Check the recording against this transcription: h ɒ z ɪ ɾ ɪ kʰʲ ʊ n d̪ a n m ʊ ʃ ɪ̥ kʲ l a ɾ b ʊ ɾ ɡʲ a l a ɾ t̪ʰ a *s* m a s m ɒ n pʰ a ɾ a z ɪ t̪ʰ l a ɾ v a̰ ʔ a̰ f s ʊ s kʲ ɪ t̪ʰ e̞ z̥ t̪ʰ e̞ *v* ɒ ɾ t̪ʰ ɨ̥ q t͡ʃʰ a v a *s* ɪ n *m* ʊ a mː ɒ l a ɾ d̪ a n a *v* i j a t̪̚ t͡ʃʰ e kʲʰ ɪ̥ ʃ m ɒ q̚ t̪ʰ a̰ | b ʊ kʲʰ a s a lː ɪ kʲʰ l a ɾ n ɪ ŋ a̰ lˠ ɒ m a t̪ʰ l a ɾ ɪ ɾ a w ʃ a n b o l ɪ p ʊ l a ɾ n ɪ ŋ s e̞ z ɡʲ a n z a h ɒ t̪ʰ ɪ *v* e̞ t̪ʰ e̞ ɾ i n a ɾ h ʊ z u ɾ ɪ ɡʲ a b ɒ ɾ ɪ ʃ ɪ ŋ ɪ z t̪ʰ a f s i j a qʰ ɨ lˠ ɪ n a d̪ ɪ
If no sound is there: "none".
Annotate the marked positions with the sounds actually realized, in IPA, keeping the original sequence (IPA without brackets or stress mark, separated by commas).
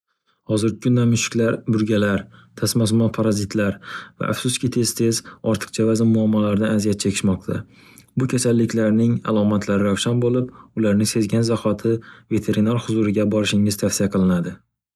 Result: s, z, z, m, z, v